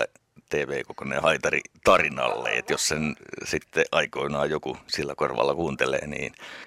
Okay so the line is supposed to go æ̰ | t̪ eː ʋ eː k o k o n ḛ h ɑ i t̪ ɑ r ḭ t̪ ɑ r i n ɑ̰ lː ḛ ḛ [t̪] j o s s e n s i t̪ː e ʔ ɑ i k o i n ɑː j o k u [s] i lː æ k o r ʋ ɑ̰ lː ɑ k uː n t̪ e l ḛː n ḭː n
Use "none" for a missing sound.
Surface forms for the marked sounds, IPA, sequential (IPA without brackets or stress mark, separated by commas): t̪, s